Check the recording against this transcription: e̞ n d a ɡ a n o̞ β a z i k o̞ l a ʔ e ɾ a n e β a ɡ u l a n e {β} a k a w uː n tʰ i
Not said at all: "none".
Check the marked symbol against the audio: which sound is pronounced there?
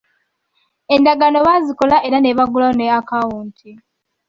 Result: none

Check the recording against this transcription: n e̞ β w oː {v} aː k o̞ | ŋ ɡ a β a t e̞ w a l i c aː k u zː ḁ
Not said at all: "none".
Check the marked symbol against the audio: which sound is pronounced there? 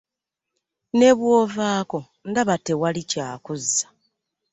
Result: v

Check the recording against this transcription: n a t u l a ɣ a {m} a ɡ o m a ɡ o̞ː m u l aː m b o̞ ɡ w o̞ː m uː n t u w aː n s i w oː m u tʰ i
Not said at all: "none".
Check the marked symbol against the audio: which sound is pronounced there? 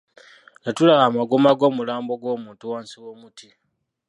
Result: m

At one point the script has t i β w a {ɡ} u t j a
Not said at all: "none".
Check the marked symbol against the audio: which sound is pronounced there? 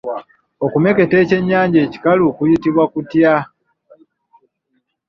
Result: k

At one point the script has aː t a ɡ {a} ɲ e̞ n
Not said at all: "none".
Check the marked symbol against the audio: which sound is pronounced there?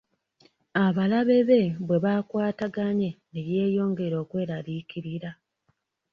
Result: a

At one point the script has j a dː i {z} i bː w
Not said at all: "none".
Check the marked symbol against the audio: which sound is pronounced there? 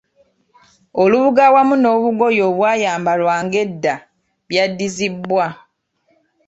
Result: z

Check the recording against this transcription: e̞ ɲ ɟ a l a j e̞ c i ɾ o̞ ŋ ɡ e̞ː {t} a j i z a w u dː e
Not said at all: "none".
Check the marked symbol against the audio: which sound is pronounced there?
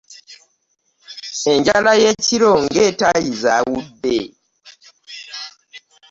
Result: t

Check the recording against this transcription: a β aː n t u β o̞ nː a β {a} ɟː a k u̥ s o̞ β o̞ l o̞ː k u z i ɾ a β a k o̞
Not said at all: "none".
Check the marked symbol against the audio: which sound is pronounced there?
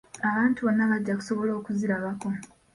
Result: a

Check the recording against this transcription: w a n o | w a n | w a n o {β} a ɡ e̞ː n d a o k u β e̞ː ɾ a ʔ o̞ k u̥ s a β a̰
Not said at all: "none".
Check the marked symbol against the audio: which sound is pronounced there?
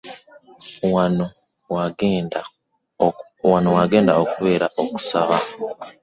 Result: w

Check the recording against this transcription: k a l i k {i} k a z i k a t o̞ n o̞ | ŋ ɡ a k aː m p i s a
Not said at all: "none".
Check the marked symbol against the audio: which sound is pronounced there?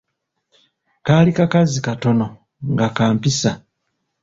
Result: a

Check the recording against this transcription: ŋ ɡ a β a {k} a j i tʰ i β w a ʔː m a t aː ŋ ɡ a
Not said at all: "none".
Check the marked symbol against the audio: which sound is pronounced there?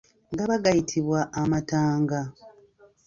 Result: ɡ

